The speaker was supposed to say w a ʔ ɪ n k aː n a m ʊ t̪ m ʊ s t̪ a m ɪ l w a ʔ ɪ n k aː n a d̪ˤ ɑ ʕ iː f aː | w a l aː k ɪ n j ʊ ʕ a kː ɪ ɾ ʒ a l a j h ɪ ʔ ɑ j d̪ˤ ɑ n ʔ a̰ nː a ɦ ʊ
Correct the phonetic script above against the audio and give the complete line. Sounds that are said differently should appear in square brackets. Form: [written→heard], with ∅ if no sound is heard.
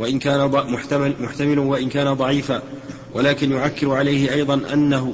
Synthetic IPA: w a ʔ ɪ n k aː n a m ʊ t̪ m ʊ [s→ħ] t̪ a m ɪ l w a ʔ ɪ n k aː n a d̪ˤ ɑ ʕ iː f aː | w a l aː k ɪ n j ʊ ʕ a kː ɪ ɾ [ʒ→ʕ] a l a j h ɪ ʔ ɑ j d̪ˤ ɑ n ʔ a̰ nː a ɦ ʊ